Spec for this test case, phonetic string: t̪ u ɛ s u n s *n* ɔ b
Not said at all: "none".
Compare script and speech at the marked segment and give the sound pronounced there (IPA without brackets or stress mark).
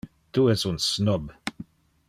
n